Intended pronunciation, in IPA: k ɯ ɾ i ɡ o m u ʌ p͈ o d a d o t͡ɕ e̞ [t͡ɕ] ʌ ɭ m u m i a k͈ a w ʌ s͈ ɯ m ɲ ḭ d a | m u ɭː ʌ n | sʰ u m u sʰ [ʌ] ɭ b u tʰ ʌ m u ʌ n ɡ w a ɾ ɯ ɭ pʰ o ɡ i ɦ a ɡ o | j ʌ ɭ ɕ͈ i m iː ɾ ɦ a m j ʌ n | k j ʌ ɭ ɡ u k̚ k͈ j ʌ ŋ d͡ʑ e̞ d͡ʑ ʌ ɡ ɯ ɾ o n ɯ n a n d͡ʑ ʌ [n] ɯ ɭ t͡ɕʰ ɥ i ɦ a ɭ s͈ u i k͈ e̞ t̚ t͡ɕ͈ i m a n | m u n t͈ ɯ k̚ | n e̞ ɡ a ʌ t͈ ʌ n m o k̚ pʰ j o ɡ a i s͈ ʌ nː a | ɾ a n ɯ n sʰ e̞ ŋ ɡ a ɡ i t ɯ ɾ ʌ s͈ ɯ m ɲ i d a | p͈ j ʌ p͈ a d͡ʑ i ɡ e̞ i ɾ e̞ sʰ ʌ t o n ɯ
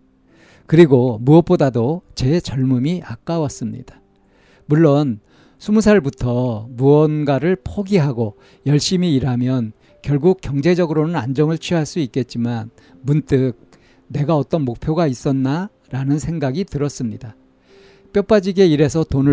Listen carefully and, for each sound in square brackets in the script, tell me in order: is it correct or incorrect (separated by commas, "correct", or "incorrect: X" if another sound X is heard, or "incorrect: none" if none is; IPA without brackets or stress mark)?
correct, incorrect: a, incorrect: ŋ